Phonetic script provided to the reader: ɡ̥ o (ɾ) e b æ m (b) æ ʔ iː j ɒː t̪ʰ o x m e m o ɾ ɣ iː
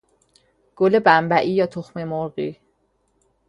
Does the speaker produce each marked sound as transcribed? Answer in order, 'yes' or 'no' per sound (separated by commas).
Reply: no, yes